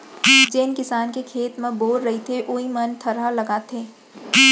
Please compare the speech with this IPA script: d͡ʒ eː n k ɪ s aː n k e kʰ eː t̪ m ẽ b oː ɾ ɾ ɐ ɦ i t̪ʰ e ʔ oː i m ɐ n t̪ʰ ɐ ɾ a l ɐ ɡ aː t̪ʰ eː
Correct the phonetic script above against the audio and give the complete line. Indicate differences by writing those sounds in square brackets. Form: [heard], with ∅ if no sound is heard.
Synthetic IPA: d͡ʒ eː n k ɪ s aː n k e kʰ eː t̪ m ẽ b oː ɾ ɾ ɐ ɦ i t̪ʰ e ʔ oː i m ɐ n t̪ʰ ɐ ɾ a l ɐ ɡ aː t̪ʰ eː